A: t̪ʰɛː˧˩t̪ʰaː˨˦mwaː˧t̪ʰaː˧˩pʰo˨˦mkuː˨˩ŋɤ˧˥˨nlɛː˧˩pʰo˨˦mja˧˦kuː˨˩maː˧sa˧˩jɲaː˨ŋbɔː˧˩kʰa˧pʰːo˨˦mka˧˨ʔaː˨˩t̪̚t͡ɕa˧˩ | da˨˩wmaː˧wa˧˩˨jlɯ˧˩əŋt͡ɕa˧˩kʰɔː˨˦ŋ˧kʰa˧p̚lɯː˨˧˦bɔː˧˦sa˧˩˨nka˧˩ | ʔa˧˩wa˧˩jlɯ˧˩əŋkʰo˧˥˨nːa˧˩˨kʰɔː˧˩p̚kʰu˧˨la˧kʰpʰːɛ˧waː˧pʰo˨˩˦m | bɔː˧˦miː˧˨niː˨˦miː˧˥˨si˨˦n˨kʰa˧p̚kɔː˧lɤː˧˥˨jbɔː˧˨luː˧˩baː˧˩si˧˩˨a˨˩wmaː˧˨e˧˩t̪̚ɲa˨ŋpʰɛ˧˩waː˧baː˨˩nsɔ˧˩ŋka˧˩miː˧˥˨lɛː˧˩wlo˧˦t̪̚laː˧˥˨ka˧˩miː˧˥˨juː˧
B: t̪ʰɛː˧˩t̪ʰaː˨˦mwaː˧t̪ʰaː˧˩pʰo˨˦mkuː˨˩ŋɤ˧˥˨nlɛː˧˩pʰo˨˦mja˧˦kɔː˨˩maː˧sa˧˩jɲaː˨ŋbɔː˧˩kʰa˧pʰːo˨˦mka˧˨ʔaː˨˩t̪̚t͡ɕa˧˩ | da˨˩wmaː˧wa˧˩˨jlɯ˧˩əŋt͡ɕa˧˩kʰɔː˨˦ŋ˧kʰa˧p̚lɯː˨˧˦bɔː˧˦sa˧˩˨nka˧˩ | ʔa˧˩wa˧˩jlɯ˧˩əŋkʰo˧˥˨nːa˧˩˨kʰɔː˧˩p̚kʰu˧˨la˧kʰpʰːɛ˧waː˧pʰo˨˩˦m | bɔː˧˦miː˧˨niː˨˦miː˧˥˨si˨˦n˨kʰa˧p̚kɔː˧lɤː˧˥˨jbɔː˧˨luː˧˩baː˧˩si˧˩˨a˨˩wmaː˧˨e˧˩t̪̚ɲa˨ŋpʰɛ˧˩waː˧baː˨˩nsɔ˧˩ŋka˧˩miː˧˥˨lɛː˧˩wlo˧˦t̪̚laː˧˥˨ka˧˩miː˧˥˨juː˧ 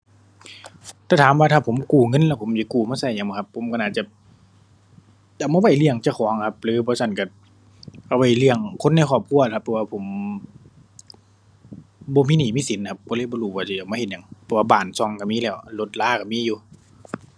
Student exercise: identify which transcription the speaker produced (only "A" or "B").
A